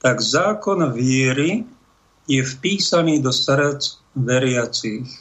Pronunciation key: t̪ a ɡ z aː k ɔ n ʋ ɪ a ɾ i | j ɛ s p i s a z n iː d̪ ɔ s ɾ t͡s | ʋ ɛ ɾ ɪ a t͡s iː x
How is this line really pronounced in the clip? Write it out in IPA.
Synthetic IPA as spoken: t̪ a ɡ z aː k ɔ n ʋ ɪ ɛ ɾ i | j ɛ f p iː s a n iː d̪ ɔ s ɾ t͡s | ʋ ɛ ɾ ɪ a t͡s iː x